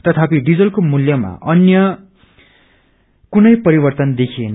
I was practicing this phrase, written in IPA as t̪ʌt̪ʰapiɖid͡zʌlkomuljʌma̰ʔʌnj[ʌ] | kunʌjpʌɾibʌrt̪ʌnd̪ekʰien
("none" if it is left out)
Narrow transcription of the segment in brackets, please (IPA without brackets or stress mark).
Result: ʌ